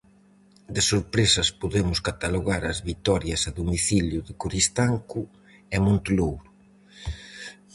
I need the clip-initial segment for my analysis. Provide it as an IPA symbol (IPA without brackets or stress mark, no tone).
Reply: d̪